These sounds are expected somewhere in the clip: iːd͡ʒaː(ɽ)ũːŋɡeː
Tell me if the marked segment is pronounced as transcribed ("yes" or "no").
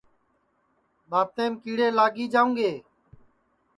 no